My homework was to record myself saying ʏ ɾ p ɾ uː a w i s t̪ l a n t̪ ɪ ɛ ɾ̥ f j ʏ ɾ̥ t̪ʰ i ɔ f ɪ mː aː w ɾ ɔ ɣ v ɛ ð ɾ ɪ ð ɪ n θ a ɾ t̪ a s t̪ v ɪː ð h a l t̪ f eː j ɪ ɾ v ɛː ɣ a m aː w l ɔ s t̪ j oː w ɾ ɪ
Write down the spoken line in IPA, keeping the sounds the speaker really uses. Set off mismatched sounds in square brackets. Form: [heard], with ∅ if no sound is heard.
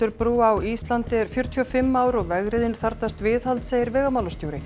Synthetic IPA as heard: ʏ ɾ p ɾ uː a w i s t̪ l a n t̪ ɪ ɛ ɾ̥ f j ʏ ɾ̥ t̪ʰ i ɔ f ɪ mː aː w ɾ ɔ ɣ v ɛ [ɣ] ɾ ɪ ð ɪ n θ a ɾ t̪ a s t̪ v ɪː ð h a l t̪ [s] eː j ɪ ɾ v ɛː ɣ a m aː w l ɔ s t̪ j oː w ɾ ɪ